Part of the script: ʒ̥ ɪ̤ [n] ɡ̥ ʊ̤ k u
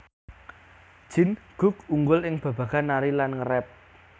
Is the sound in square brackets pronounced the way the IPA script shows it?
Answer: yes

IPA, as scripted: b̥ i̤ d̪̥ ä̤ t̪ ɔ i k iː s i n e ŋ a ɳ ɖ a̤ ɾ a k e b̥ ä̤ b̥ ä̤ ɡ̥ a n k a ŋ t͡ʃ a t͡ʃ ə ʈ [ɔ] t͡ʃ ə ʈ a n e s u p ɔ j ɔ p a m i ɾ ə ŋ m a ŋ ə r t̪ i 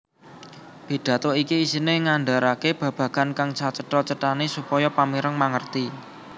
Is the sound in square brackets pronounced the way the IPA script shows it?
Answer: yes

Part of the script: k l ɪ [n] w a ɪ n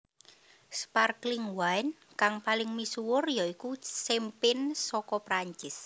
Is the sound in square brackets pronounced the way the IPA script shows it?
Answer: no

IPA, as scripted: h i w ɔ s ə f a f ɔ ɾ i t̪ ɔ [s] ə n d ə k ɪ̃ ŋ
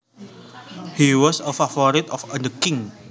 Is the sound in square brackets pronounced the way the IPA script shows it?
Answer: no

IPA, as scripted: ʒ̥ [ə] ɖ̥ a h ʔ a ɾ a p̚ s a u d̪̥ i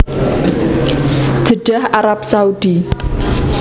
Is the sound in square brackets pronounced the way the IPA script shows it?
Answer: yes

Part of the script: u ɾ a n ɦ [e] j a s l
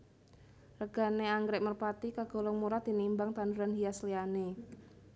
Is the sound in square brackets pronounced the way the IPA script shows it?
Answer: no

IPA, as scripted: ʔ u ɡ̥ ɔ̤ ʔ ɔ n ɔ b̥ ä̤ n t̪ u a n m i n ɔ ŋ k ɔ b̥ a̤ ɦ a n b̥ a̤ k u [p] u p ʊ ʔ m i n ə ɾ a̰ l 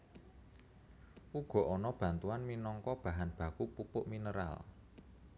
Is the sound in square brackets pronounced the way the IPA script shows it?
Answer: yes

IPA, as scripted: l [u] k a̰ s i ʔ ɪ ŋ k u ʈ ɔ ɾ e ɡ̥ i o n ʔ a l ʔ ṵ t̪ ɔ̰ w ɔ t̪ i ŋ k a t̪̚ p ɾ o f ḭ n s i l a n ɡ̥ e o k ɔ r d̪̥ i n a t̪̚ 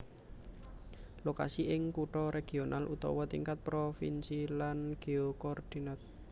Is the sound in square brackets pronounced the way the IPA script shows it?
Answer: no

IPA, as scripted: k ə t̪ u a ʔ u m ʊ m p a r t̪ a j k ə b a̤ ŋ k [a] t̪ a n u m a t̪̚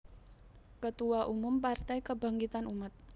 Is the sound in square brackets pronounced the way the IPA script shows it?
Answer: no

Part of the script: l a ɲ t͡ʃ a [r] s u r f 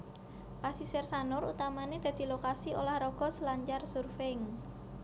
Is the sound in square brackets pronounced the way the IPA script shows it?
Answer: yes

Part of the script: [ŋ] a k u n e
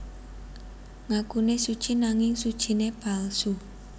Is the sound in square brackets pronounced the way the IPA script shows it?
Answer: yes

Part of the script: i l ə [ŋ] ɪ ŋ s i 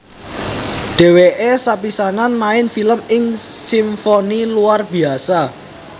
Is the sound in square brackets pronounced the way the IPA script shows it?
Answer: no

